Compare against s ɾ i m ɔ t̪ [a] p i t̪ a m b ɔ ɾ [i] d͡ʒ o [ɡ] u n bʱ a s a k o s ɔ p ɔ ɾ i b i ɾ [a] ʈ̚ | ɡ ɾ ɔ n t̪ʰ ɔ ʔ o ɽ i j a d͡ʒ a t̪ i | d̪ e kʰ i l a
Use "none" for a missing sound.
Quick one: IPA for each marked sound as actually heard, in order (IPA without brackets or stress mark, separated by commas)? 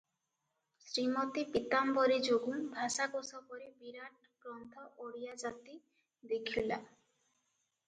i, i, ɡ, a